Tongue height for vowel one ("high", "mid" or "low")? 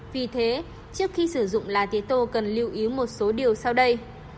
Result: high